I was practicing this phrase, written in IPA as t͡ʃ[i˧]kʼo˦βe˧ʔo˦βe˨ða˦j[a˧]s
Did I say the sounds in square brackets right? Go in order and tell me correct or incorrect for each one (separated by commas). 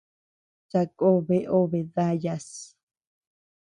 incorrect, correct